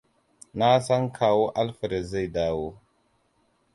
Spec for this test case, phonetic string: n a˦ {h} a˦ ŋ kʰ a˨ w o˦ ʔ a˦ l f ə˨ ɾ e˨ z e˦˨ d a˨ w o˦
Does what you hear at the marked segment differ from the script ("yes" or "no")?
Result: yes